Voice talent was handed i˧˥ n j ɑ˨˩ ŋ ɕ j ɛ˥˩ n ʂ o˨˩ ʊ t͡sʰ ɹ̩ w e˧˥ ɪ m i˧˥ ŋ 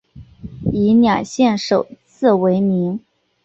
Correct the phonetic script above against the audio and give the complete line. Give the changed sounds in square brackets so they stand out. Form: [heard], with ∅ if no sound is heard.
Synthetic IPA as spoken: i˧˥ n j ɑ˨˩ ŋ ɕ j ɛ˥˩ n ʂ o˨˩ ʊ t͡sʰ ɹ̩ w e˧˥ ɪ m i˧˥ ŋ